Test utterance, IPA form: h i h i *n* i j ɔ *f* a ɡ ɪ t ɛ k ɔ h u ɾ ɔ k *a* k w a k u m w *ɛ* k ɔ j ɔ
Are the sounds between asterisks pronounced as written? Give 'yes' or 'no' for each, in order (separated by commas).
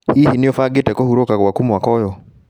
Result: yes, yes, yes, no